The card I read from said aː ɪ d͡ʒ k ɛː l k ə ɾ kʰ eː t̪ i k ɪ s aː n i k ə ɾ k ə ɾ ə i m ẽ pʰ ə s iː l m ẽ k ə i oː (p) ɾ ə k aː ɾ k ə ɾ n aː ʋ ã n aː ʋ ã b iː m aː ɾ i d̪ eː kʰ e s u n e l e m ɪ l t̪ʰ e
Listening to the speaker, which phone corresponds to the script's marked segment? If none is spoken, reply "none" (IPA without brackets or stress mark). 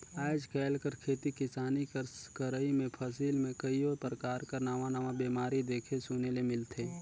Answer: p